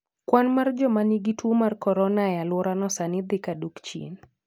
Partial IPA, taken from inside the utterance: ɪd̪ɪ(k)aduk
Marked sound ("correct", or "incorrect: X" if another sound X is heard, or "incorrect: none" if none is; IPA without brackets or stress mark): correct